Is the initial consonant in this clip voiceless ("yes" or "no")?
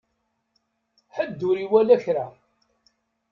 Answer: yes